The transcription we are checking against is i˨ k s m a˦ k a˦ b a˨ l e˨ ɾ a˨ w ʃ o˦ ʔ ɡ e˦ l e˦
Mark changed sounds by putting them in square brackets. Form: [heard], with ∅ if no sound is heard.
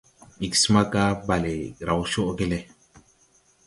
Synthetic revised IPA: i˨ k s m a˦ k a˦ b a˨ l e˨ ɾ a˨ w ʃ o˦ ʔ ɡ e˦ l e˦